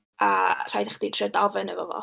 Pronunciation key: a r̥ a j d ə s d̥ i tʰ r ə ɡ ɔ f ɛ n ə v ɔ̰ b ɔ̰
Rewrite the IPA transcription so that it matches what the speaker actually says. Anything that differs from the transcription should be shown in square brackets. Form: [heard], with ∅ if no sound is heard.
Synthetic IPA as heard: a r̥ a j d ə [χ] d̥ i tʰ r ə [d] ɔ [v] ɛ n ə v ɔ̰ [v] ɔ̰